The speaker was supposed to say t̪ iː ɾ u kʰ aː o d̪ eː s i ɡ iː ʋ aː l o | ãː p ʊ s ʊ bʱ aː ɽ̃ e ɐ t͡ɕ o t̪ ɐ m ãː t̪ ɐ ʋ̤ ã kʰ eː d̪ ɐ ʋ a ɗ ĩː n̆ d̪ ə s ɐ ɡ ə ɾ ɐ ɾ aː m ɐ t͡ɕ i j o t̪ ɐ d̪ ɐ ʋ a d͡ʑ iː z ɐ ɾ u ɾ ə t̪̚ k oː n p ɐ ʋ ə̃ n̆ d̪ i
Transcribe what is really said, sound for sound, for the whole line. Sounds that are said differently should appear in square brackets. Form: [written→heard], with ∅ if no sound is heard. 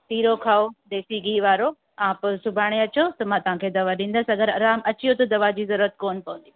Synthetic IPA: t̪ iː ɾ [u→o] kʰ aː o d̪ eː s i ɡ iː ʋ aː [l→ɾ] o | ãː p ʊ s ʊ bʱ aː ɽ̃ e ɐ t͡ɕ o t̪ ɐ m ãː t̪ ɐ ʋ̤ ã kʰ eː d̪ ɐ ʋ a ɗ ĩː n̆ d̪ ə s ɐ ɡ ə ɾ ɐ ɾ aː m ɐ t͡ɕ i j o t̪ ɐ d̪ ɐ ʋ a d͡ʑ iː z ɐ ɾ u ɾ ə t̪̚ k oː n p ɐ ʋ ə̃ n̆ d̪ i